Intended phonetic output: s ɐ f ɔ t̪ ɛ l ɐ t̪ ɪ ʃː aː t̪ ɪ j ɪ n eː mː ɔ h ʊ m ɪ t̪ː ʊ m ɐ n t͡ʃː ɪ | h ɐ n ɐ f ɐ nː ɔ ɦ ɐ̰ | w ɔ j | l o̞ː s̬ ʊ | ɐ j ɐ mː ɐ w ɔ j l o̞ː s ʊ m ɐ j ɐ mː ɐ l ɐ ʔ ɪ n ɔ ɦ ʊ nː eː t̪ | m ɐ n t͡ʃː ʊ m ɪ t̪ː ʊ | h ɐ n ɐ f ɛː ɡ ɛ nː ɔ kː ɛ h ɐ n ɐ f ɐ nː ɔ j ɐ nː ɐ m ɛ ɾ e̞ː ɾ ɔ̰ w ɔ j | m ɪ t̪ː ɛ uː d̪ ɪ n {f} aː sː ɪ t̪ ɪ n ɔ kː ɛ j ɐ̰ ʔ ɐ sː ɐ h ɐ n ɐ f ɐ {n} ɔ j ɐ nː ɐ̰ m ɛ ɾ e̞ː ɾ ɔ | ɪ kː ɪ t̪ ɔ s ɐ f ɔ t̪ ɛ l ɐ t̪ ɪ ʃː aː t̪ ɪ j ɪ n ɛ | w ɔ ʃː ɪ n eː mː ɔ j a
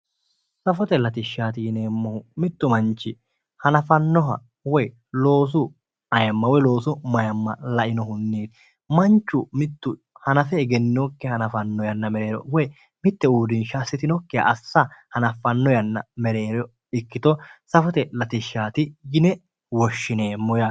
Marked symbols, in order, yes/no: no, no

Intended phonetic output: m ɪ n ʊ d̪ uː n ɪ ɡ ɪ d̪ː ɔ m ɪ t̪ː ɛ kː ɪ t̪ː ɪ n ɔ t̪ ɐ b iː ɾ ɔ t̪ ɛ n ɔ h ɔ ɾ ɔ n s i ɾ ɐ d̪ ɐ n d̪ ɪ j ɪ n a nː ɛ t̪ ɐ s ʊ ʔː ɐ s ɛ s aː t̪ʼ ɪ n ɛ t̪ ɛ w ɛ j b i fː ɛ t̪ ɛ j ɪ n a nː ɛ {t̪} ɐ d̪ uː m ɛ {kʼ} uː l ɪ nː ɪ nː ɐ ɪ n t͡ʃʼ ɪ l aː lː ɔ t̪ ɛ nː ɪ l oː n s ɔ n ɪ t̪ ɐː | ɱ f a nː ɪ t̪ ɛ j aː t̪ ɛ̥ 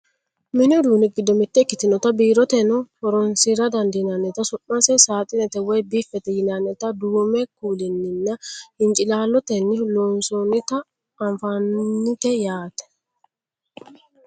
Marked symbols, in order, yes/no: yes, no

